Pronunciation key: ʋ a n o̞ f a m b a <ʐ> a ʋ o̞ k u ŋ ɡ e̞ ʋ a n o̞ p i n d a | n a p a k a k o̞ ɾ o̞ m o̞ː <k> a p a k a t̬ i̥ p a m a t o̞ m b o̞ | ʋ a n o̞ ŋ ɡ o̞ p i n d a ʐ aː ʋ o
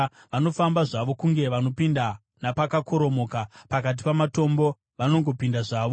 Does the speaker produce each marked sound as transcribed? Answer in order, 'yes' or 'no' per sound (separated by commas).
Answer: yes, yes